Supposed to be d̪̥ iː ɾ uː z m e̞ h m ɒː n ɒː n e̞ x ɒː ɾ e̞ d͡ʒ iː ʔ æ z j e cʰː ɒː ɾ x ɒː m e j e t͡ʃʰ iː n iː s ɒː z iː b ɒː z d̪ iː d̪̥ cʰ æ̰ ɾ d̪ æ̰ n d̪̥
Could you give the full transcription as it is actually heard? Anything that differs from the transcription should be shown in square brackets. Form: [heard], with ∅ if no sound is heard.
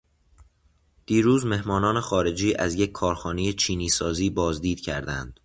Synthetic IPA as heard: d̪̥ iː ɾ uː z m e̞ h m ɒː n ɒː n e̞ x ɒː ɾ e̞ d͡ʒ iː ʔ æ z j e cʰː ɒː ɾ x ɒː [n] e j e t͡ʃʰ iː n iː s ɒː z iː b ɒː z d̪ iː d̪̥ cʰ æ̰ ɾ d̪ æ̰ n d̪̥